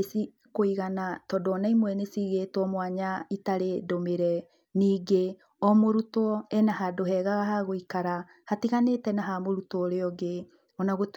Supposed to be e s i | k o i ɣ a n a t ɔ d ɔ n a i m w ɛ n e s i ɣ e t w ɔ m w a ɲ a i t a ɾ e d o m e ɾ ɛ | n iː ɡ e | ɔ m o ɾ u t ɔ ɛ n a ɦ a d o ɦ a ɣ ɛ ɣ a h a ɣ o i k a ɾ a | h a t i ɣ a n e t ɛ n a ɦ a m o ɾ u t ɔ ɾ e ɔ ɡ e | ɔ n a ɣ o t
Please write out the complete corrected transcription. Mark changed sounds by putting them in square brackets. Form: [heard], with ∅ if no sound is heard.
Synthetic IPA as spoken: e s i | k o i ɣ a n a t ɔ d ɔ n a i m w ɛ n e s i ɣ e t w ɔ m w a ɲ a i t a ɾ e d o m e ɾ ɛ | n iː ɡ e | ɔ m o ɾ u t ɔ ɛ n a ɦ a d o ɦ [ɛ] ɣ [a] ɣ a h a ɣ o i k a ɾ a | h a t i ɣ a n e t ɛ n a ɦ a m o ɾ u t ɔ ɾ e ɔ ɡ e | ɔ n a ɣ o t